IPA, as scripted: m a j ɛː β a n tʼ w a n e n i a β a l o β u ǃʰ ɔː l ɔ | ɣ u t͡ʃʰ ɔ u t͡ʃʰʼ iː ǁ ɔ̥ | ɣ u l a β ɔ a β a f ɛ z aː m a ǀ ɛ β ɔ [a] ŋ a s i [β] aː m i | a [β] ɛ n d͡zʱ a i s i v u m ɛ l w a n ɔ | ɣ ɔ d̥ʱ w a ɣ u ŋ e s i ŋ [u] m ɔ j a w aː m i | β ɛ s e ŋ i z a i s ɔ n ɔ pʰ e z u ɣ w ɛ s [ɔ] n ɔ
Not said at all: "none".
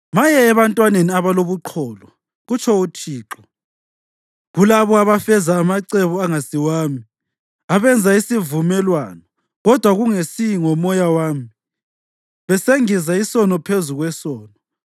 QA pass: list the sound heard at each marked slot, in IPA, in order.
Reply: a, w, β, ɔ, ɔː

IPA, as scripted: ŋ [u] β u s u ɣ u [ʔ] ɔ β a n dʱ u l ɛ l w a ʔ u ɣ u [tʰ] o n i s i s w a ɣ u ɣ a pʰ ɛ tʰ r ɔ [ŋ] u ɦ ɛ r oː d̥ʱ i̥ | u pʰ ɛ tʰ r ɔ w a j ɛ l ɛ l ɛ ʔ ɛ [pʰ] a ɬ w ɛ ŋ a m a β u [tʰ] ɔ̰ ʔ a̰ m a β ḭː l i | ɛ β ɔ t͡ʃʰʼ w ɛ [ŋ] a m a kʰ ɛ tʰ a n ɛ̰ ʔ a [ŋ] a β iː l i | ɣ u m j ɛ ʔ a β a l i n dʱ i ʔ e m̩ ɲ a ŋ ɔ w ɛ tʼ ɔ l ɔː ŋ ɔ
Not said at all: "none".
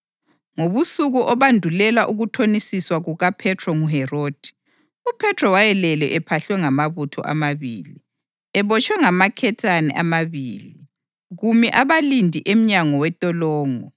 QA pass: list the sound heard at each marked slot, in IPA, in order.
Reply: o, ʔ, tʰ, ŋ, pʰ, tʰ, ŋ, m

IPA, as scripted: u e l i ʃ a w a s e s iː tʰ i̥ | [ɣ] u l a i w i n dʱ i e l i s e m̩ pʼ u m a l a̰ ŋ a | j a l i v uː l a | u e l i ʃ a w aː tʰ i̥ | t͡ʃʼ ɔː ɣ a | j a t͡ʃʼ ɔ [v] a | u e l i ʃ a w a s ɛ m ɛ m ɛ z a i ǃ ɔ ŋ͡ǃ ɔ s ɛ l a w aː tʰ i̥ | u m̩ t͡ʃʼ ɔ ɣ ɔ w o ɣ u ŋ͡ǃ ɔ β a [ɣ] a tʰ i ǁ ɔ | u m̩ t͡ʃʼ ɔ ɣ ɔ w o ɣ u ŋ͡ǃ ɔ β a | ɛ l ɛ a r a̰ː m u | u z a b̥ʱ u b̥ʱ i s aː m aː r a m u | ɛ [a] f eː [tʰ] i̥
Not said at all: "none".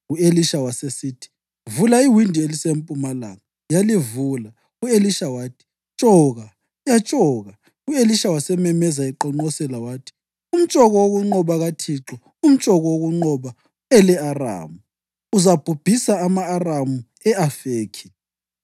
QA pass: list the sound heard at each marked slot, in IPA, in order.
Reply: v, ɣ, ɣ, a, kʰ

